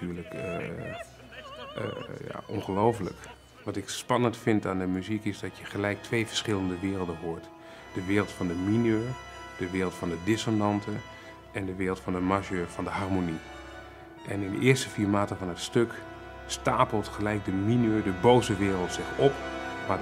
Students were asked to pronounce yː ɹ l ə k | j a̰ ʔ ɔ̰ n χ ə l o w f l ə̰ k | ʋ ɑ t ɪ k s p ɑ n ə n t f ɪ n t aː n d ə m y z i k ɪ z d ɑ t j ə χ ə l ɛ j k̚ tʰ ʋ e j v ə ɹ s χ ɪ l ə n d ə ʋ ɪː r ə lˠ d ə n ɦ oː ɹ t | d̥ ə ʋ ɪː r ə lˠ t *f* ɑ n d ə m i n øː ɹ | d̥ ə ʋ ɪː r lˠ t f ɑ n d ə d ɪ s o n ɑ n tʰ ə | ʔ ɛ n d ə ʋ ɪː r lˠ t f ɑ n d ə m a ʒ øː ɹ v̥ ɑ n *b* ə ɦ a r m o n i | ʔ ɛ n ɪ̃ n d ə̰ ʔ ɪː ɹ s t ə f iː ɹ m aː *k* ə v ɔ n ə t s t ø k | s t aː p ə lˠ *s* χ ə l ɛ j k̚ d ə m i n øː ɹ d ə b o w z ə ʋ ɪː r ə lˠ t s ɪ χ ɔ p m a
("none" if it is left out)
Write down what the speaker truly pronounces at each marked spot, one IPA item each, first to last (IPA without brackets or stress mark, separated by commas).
f, d, t, t